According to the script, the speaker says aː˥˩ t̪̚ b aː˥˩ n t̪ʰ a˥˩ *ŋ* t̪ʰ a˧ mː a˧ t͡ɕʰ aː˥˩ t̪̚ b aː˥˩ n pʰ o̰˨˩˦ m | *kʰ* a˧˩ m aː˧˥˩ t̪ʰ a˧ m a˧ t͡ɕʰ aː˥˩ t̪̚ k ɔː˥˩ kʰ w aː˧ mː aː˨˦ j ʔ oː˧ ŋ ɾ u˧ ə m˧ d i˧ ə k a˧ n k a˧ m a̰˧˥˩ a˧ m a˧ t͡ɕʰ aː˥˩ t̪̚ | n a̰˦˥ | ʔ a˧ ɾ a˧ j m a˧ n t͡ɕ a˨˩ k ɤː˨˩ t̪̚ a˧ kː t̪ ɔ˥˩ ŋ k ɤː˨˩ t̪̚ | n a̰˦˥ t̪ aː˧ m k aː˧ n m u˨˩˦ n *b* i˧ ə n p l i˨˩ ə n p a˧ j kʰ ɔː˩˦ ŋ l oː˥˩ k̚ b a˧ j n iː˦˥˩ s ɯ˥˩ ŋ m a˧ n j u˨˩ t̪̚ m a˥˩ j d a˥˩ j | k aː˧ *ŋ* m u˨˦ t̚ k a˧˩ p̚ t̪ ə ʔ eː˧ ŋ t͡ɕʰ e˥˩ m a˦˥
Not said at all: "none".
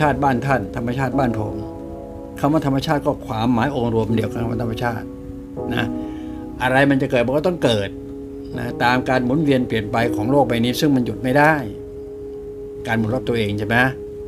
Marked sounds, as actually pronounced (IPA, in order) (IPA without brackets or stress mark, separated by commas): n, kʰ, w, n